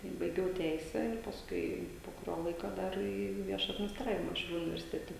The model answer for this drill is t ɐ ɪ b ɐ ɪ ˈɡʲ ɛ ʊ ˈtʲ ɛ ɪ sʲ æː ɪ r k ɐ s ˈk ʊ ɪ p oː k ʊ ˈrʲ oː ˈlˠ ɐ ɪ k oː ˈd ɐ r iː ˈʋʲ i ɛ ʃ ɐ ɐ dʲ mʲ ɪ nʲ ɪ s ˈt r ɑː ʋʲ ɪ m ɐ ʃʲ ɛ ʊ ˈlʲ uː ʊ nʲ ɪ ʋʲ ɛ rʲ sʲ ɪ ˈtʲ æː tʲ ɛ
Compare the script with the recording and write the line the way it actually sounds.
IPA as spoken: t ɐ ɪ b ɐ ɪ ˈɡʲ ɛ ʊ ˈtʲ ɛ ɪ sʲ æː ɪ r p ɐ s ˈk ʊ ɪ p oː k ʊ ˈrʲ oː ˈlˠ ɐ ɪ k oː ˈd ɐ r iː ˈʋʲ i ɛ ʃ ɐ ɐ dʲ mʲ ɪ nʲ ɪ s ˈt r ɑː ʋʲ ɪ m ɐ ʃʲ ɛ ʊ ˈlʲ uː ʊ nʲ ɪ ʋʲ ɛ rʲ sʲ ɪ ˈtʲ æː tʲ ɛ